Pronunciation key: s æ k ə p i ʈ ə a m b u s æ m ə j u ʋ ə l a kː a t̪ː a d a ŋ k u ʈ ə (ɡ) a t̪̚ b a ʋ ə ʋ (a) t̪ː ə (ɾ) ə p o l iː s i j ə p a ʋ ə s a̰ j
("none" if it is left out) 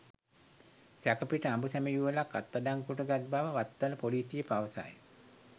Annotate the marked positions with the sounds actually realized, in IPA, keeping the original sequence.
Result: ɡ, a, l

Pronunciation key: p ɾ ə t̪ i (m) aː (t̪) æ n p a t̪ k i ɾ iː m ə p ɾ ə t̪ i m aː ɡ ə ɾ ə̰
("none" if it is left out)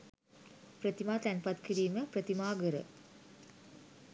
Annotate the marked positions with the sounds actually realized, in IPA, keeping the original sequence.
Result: m, t̪

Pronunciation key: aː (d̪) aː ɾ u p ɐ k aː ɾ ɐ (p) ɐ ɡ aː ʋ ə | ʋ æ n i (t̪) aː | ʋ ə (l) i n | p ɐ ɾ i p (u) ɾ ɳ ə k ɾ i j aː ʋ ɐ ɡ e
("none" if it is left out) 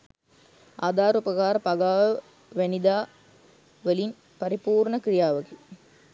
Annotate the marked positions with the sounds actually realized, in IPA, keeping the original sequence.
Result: d̪, p, d̪, l, uː

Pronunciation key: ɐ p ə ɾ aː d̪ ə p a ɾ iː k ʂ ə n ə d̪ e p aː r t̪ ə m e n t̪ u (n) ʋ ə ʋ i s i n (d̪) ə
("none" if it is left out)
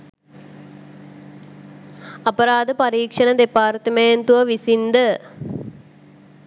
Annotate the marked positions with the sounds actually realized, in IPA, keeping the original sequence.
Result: none, d̪

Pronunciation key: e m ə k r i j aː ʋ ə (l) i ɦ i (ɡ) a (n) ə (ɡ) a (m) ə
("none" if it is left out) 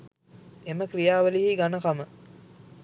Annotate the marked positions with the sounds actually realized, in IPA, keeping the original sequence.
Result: l, ɡ, n, k, m

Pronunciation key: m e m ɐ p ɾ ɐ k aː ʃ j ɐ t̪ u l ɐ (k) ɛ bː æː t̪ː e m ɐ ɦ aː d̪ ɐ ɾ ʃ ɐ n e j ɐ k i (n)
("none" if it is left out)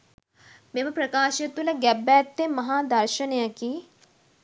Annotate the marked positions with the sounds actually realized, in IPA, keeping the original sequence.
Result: ɡ, none

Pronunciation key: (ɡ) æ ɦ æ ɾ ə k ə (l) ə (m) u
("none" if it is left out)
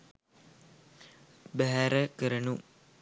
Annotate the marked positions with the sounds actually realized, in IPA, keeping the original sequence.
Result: b, ɾ, n

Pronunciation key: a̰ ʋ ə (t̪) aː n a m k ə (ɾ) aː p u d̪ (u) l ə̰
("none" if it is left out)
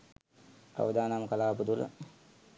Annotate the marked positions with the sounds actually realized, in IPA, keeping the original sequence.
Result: d̪, l, u

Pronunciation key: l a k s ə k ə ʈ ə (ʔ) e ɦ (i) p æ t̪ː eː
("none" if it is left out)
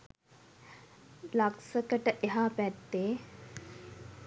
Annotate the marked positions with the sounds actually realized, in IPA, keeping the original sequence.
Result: ʔ, a

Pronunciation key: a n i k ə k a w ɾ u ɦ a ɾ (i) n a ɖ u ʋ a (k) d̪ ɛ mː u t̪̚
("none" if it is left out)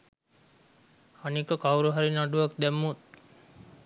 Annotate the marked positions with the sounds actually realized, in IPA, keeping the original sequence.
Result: i, k

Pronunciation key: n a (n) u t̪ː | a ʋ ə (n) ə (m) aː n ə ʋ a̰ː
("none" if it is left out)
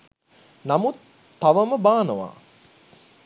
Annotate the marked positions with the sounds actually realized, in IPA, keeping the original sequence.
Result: m, m, b

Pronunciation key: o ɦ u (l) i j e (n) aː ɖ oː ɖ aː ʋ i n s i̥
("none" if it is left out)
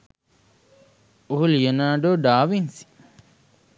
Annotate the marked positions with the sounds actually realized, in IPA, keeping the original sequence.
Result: l, n

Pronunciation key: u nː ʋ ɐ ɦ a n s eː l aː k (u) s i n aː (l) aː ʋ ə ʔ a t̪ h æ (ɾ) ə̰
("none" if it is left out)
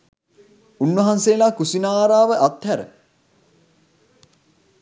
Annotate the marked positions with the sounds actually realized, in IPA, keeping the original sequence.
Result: u, ɾ, ɾ

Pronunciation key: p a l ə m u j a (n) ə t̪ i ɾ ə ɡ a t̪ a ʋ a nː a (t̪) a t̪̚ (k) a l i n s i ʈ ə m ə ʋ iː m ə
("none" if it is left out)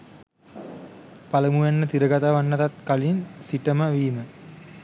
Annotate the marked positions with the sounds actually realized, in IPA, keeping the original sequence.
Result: nː, t̪, k

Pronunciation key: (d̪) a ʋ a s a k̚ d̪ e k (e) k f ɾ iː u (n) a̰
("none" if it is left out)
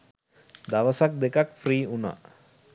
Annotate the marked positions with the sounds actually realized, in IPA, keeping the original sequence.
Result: d̪, a, n

